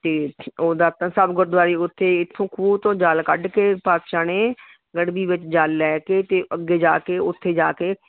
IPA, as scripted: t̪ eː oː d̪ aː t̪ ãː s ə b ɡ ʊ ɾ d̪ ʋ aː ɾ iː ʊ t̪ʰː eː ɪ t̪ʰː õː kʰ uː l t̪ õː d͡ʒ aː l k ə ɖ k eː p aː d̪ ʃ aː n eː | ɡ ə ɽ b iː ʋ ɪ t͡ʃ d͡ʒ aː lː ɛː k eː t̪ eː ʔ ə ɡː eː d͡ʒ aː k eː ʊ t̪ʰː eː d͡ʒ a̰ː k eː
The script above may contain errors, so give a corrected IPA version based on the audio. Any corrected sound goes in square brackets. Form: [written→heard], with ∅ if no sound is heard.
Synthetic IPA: t̪ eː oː d̪ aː t̪ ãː s ə b ɡ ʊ ɾ d̪ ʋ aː ɾ iː ʊ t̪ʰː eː ɪ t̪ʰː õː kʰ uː [l→∅] t̪ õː d͡ʒ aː l k ə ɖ k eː p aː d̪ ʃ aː n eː | ɡ ə ɽ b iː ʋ ɪ t͡ʃ d͡ʒ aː lː ɛː k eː t̪ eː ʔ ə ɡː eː d͡ʒ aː k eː ʊ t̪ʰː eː d͡ʒ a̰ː k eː